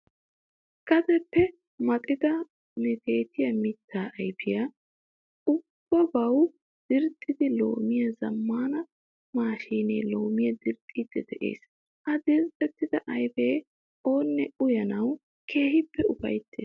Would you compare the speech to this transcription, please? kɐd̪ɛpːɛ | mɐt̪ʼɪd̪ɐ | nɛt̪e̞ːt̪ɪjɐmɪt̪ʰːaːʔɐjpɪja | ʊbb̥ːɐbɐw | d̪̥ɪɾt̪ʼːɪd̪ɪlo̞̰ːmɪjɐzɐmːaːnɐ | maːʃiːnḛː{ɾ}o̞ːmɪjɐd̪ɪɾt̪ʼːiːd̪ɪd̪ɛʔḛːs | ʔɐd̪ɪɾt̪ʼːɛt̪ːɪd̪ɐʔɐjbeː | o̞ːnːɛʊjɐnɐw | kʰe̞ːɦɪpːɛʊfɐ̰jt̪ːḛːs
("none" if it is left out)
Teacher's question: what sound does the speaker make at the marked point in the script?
l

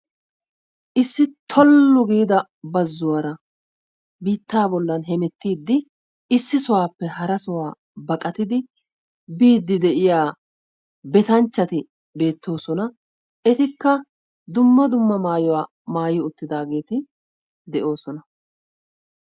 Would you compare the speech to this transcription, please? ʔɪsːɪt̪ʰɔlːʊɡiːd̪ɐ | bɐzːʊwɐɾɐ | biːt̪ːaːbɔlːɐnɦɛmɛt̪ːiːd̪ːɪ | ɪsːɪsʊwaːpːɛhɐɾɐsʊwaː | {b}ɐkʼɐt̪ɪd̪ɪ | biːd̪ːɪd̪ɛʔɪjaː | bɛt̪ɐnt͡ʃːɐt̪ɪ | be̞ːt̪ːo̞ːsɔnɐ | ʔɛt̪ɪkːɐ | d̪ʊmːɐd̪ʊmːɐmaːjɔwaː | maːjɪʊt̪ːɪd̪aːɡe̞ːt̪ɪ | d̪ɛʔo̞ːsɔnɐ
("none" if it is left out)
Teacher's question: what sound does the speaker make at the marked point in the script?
b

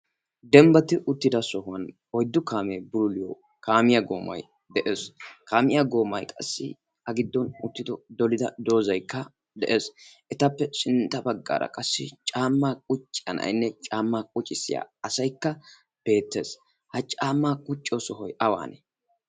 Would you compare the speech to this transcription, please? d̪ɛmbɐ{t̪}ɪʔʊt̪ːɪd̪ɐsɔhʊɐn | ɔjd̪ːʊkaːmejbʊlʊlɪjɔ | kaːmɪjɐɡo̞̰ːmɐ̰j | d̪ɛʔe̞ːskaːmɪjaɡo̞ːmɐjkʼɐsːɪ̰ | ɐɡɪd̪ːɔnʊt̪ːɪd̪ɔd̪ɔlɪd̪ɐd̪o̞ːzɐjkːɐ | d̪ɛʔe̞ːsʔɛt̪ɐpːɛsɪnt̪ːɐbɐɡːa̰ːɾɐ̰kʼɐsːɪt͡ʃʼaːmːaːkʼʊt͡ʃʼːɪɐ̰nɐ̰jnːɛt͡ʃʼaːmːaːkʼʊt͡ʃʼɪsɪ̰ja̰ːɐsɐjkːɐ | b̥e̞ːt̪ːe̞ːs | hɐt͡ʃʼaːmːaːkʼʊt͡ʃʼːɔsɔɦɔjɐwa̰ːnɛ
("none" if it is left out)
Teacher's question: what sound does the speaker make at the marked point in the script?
t̪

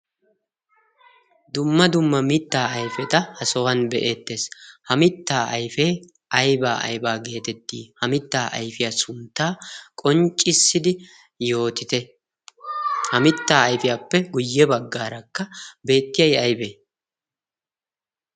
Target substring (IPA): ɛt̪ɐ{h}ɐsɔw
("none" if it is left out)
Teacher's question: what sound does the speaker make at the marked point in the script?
h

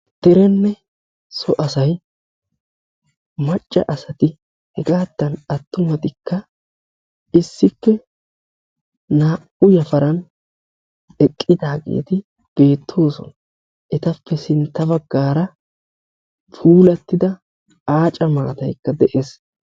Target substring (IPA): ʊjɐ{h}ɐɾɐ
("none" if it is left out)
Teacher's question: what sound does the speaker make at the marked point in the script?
f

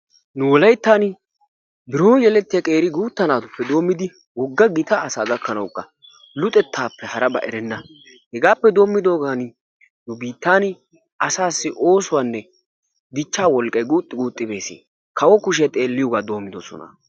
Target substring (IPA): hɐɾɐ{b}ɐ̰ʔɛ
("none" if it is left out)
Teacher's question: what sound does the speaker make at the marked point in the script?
b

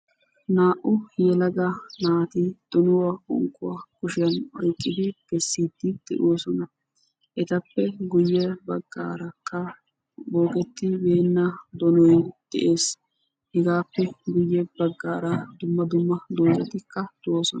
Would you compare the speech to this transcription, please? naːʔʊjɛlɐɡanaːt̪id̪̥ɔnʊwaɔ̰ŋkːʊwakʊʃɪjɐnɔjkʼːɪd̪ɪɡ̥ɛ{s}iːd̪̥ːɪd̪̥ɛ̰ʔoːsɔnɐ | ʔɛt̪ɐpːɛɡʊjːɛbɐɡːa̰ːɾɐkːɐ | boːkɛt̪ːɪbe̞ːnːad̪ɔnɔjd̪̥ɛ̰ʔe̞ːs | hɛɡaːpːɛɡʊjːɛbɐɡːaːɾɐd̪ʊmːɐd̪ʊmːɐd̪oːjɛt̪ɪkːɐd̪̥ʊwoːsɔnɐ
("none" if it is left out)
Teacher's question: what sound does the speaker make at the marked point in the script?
sː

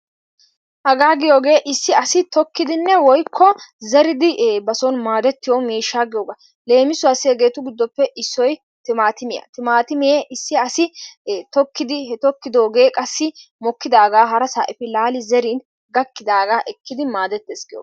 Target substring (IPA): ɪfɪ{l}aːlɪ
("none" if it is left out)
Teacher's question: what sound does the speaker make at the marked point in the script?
l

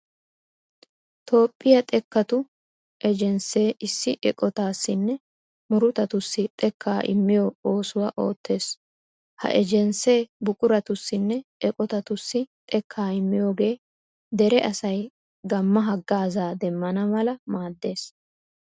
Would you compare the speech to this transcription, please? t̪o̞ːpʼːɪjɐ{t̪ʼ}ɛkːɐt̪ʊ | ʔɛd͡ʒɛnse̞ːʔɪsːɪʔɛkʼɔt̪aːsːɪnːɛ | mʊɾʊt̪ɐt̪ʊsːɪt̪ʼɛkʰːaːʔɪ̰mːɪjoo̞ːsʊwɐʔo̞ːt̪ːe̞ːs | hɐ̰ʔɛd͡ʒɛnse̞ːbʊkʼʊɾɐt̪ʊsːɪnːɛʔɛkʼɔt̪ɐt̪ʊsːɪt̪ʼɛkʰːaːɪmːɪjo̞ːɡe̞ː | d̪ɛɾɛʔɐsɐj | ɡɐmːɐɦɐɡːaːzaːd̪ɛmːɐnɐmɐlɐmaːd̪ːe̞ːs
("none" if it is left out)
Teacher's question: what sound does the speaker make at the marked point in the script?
t̪ʼ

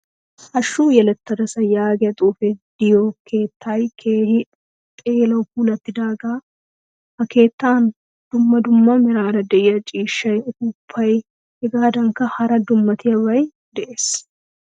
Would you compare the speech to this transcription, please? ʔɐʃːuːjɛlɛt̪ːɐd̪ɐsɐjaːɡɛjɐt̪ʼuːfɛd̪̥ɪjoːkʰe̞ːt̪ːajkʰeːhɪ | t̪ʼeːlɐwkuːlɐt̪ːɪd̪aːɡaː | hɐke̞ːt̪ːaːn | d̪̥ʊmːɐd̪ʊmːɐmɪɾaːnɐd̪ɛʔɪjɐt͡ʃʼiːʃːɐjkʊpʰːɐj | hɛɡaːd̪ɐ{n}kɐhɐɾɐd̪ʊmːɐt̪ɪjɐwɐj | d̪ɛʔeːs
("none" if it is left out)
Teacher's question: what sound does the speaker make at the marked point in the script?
ŋ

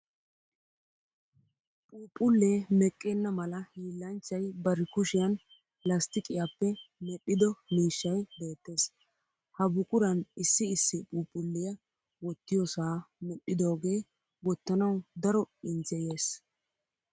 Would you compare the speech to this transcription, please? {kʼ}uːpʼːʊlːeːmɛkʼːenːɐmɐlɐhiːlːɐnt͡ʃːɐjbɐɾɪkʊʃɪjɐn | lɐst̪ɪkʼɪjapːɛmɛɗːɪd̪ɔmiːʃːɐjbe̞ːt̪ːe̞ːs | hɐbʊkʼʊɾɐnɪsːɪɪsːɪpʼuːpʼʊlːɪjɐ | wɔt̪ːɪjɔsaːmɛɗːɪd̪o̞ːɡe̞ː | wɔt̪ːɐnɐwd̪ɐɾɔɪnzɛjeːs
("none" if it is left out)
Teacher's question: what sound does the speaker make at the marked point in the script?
pʼ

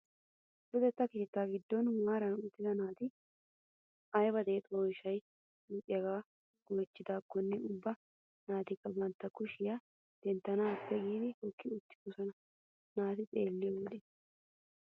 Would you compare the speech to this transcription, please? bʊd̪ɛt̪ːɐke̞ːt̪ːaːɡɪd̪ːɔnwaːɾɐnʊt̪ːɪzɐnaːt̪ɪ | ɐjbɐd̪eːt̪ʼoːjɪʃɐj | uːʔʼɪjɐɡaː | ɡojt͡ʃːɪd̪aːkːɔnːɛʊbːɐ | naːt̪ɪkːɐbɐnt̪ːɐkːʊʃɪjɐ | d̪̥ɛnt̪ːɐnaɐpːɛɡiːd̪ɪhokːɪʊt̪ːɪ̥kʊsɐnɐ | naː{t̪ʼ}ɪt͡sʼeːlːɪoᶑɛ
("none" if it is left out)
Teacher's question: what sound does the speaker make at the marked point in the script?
t̪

